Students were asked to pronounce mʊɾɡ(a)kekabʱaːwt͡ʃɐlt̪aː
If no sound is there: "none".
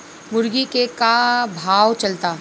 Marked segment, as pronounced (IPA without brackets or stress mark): i